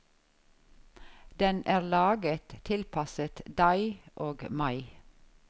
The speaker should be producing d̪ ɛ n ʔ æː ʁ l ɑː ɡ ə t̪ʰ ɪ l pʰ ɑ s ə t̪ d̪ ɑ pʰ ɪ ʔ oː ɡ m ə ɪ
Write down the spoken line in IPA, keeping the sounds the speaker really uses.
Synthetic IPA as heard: d̪ ɛ n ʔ æː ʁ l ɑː ɡ ə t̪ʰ ɪ l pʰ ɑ s ə t̪ d̪ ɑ ɪ ʔ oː ɡ m ɑ ɪ